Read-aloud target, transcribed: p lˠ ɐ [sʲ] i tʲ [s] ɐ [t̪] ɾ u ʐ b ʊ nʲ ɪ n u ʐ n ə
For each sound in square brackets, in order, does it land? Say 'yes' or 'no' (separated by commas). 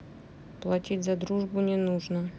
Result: no, no, no